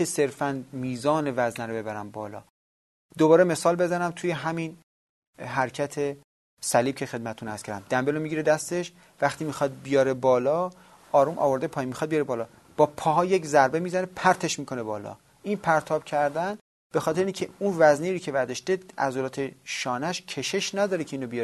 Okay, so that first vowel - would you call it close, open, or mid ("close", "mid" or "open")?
mid